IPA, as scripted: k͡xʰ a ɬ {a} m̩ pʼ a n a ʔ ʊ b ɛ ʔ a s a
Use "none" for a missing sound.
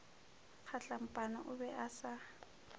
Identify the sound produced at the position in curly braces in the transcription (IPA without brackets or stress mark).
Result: a